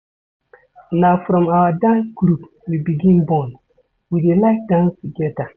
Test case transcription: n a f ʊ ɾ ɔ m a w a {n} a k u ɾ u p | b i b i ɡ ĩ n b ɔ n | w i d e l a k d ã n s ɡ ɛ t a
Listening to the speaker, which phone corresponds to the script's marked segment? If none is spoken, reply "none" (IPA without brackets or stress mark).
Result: d